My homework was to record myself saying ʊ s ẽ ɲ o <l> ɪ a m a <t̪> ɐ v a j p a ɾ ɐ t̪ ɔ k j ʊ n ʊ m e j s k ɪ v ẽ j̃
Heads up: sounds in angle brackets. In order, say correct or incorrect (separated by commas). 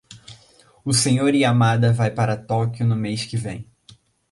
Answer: incorrect, incorrect